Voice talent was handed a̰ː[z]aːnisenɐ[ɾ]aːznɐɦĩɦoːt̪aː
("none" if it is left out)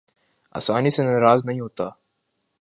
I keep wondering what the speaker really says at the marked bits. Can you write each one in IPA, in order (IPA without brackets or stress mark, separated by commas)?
s, ɾ